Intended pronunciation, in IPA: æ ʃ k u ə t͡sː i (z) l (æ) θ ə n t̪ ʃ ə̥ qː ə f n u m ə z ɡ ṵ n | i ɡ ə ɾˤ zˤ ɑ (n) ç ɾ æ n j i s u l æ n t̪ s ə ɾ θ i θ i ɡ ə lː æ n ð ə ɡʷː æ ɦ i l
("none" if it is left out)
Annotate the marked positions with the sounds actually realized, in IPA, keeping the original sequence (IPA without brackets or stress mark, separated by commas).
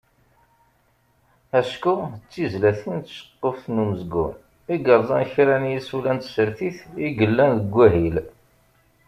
z, æ, n